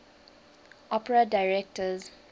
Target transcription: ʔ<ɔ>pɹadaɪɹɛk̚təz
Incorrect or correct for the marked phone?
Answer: correct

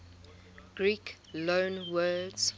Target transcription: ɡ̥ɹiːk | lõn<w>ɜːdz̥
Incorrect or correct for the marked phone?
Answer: correct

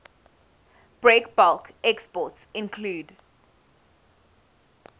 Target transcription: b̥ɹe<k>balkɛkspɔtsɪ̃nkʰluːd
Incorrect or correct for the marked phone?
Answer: correct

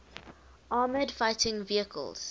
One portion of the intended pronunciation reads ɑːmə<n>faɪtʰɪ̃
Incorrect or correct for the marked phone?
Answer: incorrect: d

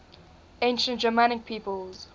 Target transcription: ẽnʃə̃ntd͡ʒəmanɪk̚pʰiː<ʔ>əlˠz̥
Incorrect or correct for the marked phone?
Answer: incorrect: p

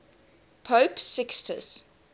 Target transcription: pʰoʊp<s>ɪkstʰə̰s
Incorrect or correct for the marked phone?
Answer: correct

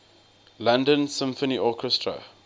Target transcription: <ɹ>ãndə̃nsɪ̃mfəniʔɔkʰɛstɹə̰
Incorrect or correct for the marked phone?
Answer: incorrect: l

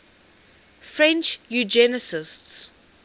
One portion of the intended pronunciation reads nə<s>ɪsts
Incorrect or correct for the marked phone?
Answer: correct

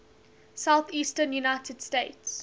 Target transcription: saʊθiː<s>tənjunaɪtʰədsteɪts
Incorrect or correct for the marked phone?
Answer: correct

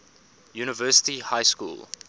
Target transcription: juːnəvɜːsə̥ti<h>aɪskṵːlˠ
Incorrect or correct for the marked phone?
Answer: correct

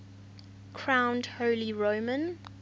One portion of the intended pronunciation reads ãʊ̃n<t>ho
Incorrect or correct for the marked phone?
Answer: incorrect: d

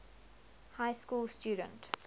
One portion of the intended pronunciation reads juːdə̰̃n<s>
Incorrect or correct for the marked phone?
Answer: incorrect: t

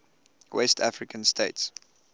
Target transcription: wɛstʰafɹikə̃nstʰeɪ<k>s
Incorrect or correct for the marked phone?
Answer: incorrect: t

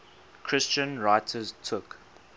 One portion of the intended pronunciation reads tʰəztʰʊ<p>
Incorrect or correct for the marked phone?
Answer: incorrect: k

